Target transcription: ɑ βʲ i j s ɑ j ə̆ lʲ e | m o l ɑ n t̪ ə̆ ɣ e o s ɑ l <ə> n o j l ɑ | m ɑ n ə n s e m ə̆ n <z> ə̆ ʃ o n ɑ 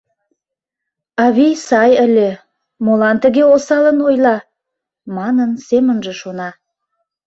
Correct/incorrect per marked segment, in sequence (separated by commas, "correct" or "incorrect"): correct, incorrect